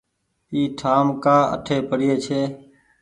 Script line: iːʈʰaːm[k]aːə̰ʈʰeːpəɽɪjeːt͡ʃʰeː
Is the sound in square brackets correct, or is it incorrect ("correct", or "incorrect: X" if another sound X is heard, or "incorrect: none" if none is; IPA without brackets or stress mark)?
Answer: correct